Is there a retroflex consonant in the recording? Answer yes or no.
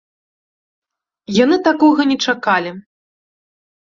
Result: yes